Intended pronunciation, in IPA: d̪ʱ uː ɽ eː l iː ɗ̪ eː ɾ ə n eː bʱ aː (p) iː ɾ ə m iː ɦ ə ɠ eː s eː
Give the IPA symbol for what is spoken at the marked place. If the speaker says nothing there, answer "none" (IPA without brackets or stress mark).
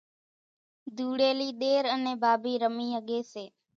b